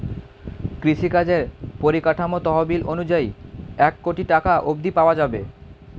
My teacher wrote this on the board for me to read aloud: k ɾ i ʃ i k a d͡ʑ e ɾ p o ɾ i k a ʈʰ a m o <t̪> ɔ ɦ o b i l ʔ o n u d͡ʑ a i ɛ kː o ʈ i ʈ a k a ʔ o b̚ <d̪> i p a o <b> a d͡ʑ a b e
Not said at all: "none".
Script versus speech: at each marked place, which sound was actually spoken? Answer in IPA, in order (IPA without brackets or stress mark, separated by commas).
t̪, d̪, none